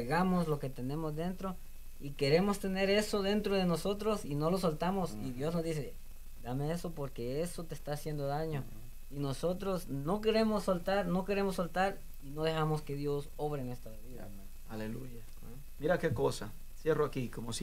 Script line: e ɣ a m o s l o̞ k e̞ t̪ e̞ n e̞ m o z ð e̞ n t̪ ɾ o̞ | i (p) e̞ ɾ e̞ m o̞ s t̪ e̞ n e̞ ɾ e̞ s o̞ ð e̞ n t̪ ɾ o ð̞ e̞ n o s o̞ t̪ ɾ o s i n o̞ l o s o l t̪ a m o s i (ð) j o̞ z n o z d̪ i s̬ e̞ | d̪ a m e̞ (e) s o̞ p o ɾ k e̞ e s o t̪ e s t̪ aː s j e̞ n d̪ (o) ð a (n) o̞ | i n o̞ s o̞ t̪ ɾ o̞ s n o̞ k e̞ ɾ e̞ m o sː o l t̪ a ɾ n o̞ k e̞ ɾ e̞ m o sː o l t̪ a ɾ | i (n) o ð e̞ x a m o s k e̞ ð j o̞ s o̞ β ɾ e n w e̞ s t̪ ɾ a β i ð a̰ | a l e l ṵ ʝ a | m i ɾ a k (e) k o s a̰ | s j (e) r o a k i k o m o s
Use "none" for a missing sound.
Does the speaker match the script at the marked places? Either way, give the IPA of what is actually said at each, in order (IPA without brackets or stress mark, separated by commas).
k, ð, e, o, ɲ, n, e, e